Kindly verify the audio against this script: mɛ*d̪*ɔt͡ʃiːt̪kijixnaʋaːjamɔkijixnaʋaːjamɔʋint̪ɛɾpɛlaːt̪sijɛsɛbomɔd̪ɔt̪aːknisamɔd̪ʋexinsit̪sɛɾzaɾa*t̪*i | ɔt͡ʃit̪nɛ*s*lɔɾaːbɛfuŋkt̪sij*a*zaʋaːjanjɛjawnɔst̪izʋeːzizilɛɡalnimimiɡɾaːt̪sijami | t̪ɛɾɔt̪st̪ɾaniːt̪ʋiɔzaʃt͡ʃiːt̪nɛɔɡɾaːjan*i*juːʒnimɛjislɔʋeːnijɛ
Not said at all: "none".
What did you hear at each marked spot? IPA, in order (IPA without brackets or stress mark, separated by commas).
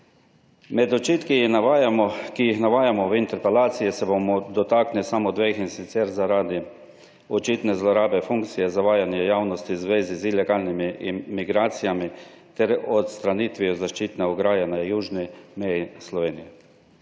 d̪, d̪, z, ɛ, a